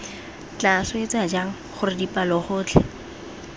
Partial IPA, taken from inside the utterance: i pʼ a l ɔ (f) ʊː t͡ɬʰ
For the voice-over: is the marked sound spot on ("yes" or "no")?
no